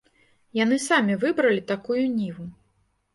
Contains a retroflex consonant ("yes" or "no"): no